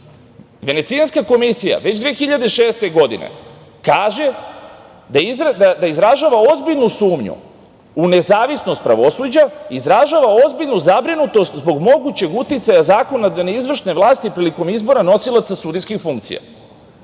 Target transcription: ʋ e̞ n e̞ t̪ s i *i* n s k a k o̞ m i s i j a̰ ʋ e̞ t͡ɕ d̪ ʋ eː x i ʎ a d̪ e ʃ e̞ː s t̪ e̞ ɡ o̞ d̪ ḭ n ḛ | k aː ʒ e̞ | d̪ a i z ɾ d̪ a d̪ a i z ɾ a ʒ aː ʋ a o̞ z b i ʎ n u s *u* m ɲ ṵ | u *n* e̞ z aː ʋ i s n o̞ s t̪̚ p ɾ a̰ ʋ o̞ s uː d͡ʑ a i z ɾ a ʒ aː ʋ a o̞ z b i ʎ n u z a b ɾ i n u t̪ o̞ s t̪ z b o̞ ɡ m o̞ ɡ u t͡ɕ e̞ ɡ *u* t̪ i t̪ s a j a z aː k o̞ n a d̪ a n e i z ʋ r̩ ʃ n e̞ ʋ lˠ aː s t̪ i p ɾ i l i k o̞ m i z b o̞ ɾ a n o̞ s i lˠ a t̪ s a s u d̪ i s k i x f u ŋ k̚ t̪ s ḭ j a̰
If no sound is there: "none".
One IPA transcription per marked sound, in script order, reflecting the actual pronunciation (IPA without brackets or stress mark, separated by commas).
a, uː, n, u